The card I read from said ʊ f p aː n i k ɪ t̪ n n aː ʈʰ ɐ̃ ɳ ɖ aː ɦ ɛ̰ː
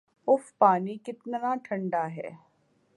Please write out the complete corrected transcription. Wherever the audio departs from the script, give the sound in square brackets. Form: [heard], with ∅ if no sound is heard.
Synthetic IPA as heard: ʊ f p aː n i k ɪ t̪ n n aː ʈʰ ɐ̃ ɳ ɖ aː ɦ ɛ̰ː